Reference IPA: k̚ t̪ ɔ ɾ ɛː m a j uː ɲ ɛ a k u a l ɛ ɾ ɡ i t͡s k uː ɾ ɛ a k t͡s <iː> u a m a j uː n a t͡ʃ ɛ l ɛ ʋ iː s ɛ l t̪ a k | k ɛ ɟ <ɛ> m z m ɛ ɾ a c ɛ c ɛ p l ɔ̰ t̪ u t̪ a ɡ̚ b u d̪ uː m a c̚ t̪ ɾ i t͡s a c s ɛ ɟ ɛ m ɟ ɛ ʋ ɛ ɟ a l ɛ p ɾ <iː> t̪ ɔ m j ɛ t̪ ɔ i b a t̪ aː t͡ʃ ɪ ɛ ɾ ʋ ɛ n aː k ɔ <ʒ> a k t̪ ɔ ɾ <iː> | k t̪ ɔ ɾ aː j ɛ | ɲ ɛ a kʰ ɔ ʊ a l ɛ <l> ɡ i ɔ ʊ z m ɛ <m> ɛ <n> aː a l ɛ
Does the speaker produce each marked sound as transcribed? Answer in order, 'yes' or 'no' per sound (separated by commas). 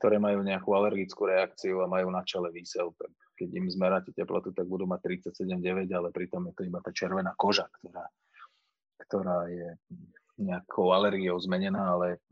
no, no, no, yes, no, no, no, yes